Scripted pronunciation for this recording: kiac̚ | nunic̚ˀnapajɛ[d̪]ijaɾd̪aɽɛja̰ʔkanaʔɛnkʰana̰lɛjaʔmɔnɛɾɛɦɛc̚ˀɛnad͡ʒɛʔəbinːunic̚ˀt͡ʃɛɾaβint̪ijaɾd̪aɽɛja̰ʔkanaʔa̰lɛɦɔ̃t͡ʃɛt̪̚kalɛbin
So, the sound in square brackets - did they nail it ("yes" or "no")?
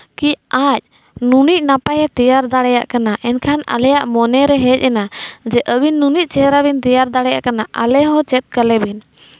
no